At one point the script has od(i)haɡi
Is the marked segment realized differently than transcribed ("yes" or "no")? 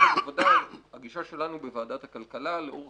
yes